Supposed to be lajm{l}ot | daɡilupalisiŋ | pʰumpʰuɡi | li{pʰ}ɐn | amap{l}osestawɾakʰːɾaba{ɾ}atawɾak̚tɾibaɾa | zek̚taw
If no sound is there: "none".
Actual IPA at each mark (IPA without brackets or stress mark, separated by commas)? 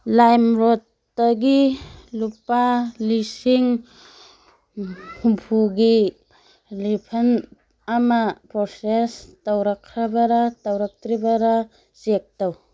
ɾ, pʰ, ɾ, ɾ